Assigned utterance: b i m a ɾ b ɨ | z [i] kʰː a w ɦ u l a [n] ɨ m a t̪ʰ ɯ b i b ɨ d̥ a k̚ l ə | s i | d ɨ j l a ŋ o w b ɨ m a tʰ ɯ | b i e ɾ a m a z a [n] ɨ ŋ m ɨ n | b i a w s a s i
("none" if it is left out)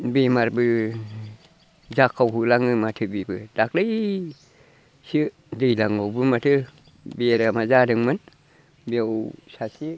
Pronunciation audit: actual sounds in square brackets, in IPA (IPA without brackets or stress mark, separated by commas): a, ŋ, d